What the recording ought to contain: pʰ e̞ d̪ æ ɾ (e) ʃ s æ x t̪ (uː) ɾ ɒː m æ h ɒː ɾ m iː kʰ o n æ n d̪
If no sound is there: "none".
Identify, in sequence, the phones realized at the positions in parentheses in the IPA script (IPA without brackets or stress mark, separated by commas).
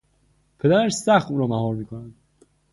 æ, uː